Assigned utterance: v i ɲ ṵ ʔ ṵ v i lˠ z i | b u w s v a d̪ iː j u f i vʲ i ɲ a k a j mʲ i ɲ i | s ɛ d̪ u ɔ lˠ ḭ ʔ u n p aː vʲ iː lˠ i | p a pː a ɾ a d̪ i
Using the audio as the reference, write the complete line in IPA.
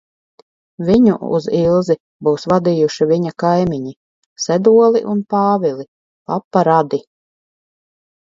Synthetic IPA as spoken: v i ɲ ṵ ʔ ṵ z i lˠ z i | b u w s v a d̪ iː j u ʃ i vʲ i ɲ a k a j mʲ i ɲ i | s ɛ d̪ u ɔ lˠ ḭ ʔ u n p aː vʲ i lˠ i | p a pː a ɾ a d̪ i